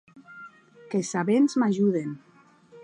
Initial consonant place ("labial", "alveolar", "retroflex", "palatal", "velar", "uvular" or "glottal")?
velar